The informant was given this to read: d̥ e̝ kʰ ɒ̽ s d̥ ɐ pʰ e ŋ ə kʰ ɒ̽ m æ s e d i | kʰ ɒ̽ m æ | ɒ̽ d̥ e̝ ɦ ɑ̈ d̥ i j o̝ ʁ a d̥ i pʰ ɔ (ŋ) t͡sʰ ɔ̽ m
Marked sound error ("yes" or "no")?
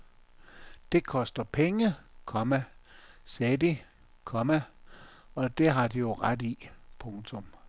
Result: no